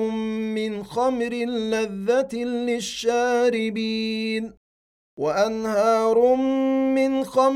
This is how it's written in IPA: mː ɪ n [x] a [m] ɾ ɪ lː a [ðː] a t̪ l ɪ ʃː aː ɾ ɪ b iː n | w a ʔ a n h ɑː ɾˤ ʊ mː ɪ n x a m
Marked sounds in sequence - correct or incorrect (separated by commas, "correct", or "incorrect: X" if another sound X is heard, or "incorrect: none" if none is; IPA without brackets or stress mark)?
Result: correct, correct, correct